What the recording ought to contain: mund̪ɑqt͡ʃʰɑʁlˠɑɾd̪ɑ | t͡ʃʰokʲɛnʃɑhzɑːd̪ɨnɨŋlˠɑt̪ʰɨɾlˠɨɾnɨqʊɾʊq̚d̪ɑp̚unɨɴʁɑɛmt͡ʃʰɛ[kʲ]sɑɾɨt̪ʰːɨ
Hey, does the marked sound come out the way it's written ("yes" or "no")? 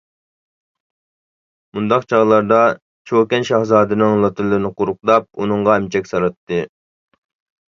yes